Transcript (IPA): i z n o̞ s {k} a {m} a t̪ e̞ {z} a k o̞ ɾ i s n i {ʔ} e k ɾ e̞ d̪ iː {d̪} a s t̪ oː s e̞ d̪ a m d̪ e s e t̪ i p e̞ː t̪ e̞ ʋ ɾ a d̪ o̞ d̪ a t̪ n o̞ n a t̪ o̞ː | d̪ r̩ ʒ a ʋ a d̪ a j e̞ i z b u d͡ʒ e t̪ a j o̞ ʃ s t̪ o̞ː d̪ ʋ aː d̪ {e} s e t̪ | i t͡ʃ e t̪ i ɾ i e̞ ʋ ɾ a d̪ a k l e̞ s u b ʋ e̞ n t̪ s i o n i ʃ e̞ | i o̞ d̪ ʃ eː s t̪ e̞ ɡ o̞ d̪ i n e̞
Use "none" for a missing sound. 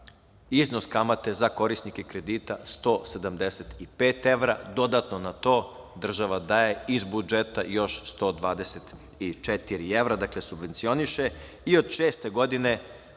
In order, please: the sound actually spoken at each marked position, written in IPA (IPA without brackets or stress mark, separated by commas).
k, m, z, k, t̪, e